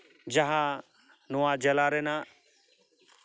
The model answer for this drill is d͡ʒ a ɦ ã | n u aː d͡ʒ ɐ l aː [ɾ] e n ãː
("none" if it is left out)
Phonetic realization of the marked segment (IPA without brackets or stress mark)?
ɾ